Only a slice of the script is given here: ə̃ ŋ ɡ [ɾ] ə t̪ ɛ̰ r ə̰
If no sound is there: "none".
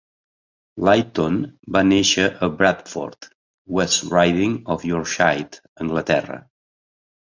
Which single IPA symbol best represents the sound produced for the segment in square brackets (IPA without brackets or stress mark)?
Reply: l